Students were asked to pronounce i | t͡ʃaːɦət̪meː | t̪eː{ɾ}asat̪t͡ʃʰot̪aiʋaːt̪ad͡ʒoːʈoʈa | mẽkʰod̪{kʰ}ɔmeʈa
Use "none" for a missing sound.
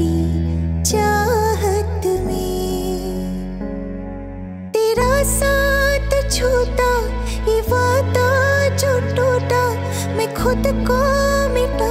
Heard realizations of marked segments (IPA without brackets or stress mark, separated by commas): ɾ, k